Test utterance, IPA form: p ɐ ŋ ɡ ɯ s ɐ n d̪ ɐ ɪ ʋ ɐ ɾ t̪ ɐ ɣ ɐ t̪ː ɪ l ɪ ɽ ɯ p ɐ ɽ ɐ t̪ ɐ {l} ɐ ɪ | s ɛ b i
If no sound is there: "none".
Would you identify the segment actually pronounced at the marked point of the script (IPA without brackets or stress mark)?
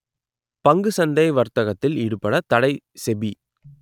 ɽ